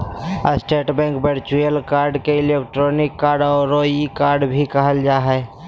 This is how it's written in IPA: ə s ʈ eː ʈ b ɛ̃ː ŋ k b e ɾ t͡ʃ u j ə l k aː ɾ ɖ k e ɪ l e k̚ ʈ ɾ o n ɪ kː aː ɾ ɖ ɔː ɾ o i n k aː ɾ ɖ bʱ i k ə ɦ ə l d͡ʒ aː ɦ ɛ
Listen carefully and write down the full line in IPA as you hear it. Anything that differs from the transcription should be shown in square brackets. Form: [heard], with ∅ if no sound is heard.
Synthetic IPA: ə s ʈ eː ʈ b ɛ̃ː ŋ k b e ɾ t͡ʃ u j ə l k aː ɾ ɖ k e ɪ l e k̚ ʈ ɾ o n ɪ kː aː ɾ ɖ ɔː ɾ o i [∅] k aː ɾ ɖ bʱ i k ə ɦ ə l d͡ʒ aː ɦ ɛ